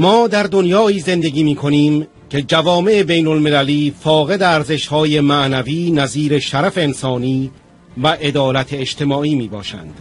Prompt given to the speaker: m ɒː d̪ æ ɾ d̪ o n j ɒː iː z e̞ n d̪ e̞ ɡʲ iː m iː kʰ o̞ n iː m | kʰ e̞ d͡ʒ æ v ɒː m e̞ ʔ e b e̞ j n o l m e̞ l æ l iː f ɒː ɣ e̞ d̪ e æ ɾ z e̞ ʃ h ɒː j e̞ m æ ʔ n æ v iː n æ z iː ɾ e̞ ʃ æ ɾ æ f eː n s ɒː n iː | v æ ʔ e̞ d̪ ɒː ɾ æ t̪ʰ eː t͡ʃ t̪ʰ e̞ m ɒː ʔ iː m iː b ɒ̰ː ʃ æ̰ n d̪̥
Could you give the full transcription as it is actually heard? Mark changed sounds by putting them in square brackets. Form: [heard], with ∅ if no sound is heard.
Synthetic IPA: m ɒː d̪ æ ɾ d̪ o n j ɒː iː z e̞ n d̪ e̞ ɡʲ iː m iː kʰ o̞ n iː m | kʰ e̞ d͡ʒ æ v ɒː m e̞ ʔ e b e̞ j n o l m e̞ l æ l iː f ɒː ɣ e̞ d̪ e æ ɾ z e̞ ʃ h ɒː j e̞ m æ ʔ n æ v iː n æ z iː ɾ e̞ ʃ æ ɾ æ f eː n s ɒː n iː | v æ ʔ e̞ d̪ ɒː [l] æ t̪ʰ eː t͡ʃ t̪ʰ e̞ m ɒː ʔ iː m iː b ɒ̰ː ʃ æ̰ n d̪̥